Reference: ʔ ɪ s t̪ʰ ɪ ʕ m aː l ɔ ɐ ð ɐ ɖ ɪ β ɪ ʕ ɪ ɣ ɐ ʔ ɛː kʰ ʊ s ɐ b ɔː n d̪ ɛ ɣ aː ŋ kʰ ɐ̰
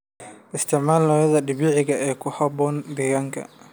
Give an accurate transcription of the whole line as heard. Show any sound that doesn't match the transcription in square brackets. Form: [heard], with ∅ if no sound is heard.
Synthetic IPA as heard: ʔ ɪ s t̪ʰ ɪ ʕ m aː l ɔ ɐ ð ɐ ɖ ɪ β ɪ ʕ ɪ ɣ ɐ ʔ ɛː kʰ ʊ [h] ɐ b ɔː n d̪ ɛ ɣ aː ŋ kʰ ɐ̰